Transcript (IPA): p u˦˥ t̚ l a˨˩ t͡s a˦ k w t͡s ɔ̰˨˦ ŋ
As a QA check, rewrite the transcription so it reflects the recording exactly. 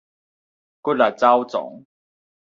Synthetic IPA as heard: k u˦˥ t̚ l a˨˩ t͡s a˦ w t͡s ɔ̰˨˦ ŋ